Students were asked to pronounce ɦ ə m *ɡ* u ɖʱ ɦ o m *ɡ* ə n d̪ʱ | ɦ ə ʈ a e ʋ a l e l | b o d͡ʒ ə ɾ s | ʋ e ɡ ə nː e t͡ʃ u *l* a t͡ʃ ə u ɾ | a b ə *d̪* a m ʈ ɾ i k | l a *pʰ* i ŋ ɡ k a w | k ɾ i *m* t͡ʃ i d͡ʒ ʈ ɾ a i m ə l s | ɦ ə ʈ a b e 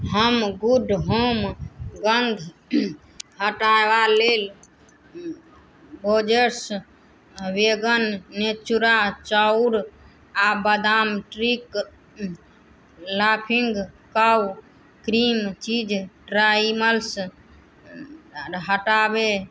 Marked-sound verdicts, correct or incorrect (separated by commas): correct, correct, incorrect, correct, correct, correct